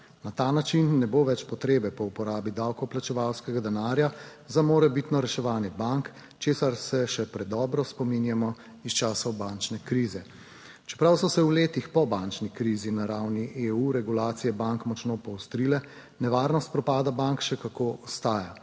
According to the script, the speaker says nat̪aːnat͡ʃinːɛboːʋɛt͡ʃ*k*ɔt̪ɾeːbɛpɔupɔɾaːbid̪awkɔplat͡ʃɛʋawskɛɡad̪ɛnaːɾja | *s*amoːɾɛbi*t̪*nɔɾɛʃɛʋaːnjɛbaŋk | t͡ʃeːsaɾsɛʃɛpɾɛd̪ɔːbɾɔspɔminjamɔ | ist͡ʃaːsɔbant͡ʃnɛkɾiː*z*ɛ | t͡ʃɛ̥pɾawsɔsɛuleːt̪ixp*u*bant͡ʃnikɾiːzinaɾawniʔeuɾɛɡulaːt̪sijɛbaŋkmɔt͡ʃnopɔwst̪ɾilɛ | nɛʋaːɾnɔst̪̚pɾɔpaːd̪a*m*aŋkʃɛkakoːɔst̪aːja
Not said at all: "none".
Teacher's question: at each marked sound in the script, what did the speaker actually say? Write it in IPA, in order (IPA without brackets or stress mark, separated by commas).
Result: p, z, t̪, z, ɔ, b